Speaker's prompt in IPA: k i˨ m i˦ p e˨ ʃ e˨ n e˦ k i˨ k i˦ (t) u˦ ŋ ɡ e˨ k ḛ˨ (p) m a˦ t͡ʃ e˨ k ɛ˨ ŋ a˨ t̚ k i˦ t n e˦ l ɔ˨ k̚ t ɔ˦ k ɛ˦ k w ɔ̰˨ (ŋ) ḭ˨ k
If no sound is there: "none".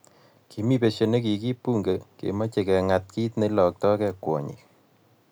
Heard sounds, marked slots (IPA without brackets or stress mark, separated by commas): p, none, ɲ